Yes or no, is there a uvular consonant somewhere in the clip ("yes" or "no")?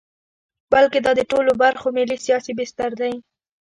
no